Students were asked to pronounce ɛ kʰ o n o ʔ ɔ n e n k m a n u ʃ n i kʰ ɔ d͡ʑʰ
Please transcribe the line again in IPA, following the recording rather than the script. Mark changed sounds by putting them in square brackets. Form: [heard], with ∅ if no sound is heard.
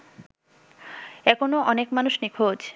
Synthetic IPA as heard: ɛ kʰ o n o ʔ ɔ n e [∅] k m a n u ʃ n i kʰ [o] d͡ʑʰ